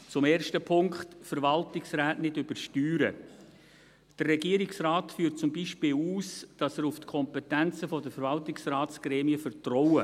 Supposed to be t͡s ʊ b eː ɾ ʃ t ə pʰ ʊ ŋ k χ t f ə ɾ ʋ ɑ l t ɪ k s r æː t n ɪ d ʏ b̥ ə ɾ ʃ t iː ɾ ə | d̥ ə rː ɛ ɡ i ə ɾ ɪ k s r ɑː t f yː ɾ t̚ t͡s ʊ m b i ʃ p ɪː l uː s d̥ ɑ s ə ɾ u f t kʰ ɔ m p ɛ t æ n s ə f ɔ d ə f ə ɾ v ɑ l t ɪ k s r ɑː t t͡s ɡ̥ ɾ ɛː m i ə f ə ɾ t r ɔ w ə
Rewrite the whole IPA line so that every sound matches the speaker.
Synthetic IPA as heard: t͡s ʊ m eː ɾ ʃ t ə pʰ ʊ ŋ k χ t f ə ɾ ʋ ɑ l t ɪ k s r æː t n ɪ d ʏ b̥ ə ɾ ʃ t yː ɾ ə | d̥ ə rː ɛ ɡ i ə ɾ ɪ k s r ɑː t f yː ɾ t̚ t͡s ʊ m b i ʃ p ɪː l uː s d̥ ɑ s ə ɾ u f t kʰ ɔ m p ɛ t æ n t͡s ə f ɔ d ə f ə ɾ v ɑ l t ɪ k s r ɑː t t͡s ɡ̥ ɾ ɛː m i ə f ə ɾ t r ɔ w ə